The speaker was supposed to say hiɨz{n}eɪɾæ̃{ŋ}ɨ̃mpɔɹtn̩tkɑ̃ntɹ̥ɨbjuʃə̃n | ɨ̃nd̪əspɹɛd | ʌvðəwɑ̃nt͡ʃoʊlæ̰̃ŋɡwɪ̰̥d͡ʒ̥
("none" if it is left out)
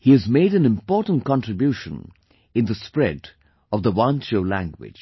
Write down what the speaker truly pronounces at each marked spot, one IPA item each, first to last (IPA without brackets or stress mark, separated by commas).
m, n